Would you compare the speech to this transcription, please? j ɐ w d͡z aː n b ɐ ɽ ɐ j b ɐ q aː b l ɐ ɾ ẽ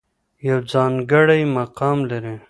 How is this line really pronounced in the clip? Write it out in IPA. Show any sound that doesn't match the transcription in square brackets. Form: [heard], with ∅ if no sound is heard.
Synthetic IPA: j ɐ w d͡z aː n [ɡ] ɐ ɽ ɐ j [m] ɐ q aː [m] l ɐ ɾ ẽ